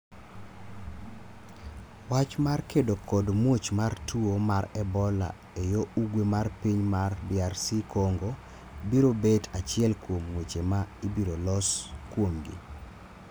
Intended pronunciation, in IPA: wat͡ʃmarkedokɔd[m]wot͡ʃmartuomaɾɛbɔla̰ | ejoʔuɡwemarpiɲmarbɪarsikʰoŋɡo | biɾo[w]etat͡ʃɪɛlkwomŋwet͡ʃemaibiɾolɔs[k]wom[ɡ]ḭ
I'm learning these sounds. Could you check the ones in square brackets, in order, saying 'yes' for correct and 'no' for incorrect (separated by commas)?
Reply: yes, no, yes, yes